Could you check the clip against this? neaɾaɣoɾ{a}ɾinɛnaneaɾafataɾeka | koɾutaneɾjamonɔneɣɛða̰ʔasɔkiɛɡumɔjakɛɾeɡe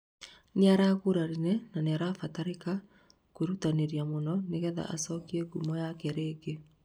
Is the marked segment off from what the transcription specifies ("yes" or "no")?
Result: no